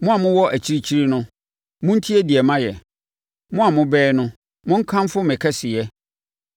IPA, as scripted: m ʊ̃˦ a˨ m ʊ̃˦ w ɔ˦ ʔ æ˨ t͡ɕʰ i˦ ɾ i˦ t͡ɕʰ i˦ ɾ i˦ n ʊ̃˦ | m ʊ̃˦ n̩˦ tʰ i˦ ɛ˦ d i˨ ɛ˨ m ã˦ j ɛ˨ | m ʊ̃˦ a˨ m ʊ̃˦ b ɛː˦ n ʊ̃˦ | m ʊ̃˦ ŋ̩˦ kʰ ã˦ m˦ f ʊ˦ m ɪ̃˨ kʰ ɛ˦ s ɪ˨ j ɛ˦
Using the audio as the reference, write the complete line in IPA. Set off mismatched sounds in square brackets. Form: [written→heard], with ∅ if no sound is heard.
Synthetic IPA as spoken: m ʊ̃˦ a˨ m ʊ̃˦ w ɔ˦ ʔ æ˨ t͡ɕʰ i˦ ɾ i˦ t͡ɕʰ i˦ ɾ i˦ n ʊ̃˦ | m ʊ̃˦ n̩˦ tʰ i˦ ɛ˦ d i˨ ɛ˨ m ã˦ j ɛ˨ | m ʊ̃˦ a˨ m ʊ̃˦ b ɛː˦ n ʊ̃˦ | m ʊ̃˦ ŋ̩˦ kʰ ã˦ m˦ f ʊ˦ m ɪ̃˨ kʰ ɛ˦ s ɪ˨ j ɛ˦